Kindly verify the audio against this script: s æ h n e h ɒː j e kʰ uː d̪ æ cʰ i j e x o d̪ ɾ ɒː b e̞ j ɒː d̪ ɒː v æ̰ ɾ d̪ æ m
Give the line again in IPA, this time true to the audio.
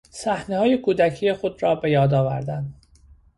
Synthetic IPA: s æ h n e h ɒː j e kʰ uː d̪ æ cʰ i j e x o d̪ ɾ ɒː b e̞ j ɒː d̪ ɒː v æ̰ ɾ d̪ æ n